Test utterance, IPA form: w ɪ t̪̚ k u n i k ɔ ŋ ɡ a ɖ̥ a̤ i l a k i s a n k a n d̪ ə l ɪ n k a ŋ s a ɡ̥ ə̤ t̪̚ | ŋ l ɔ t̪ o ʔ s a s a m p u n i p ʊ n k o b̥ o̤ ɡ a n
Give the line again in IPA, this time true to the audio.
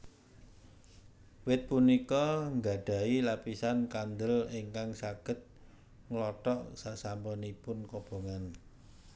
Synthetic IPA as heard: w ɪ t̪̚ p u n i k ɔ ŋ ɡ a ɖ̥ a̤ i l a p i s a n k a n d̪ ə l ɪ ŋ k a ŋ s a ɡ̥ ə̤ t̪̚ | ŋ l ɔ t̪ ɔ ʔ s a s a m p ɔ n i p ʊ n k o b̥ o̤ ŋ a n